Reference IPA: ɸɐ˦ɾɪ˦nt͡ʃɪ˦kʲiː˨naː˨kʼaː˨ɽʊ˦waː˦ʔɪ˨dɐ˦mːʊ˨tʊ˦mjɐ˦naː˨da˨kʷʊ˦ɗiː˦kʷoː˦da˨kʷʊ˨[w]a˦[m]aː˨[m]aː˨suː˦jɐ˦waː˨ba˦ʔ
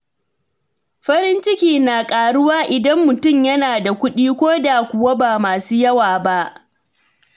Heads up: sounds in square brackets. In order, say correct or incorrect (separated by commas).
correct, incorrect, correct